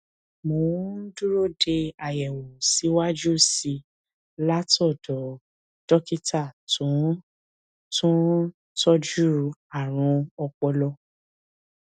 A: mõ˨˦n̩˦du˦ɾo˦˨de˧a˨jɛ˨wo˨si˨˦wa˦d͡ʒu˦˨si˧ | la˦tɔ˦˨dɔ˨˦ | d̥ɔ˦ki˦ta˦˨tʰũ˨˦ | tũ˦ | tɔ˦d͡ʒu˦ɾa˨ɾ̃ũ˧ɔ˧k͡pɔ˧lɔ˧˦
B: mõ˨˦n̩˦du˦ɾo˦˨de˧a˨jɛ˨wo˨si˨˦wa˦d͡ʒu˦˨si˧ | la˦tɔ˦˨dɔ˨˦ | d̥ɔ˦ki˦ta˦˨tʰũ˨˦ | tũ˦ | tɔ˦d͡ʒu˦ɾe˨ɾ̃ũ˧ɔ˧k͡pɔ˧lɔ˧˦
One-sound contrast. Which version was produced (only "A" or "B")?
A